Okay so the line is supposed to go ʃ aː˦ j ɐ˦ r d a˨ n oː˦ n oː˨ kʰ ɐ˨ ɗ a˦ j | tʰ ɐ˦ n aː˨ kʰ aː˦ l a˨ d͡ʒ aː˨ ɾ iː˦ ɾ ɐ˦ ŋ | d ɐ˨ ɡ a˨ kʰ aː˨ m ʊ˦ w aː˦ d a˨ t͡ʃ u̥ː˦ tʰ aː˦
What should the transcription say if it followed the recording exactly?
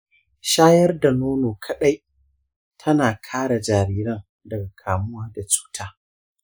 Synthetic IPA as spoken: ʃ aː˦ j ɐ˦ r d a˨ n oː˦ n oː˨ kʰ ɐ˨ ɗ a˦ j | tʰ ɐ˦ n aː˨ kʰ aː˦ ɽ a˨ d͡ʒ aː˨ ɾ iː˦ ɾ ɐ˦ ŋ | d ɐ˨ ɡ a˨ kʰ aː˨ m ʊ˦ w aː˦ d a˨ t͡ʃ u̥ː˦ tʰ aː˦